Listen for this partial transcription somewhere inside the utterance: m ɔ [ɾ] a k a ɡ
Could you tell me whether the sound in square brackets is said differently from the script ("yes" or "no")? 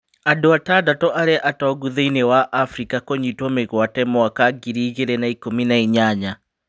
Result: yes